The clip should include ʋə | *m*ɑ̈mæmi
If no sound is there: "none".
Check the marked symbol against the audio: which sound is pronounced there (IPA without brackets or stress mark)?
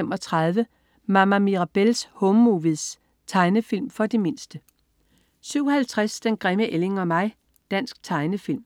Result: m